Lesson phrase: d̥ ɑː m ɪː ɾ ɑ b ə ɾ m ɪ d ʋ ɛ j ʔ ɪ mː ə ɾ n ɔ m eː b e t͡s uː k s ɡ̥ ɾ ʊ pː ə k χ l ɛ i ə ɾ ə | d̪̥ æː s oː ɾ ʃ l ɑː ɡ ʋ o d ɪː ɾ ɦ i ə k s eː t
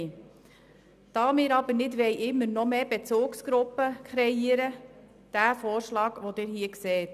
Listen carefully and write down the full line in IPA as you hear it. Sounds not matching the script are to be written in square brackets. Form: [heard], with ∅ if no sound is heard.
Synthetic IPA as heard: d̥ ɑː m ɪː ɾ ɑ b ə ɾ [n] ɪ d ʋ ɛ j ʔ ɪ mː ə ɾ n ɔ m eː b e t͡s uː k s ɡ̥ ɾ ʊ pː ə k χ [ɾ] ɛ i ə ɾ ə | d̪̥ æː [f] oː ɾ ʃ l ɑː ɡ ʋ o d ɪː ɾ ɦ i ə k s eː t